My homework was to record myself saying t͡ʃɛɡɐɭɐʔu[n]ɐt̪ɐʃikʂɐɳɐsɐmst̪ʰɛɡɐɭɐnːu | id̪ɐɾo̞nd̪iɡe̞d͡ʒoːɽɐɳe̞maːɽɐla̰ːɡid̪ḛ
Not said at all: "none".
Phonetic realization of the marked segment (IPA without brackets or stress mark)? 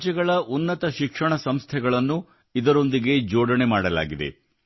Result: nː